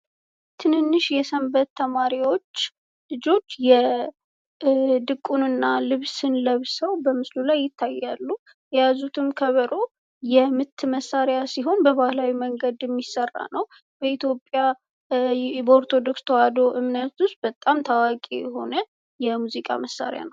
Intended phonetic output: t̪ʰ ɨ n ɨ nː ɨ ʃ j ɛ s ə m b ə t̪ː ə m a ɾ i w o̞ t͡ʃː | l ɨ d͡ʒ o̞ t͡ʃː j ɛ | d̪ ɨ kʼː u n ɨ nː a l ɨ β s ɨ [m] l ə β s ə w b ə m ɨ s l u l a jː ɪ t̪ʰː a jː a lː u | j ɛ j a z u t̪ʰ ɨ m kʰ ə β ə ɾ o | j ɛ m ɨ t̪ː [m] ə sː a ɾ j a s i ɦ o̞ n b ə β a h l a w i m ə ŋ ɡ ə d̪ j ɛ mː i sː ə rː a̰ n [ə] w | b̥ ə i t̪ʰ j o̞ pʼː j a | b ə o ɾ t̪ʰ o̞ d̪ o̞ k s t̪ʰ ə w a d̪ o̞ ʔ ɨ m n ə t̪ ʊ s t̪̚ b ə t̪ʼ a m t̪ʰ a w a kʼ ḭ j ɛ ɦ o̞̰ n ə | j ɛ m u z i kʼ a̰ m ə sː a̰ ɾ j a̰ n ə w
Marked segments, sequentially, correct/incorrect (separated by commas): incorrect, correct, correct